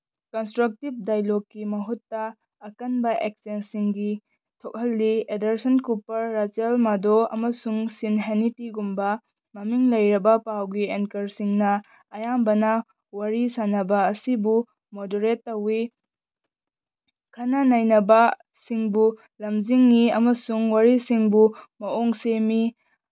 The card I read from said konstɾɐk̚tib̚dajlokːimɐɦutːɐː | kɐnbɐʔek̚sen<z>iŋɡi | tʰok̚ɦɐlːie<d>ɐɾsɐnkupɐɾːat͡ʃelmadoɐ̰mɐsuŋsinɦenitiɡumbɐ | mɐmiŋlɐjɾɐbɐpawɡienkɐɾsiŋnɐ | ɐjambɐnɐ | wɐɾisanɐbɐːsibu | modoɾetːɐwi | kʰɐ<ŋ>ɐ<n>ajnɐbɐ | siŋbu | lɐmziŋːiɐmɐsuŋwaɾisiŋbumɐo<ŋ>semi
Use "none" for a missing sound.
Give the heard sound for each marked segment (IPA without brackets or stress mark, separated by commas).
s, d, n, n, ŋ